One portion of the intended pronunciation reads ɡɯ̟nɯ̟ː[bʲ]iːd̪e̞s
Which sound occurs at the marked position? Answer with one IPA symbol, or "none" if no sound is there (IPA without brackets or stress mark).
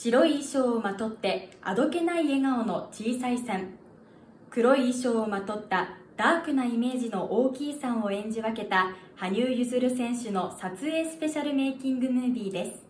bʲ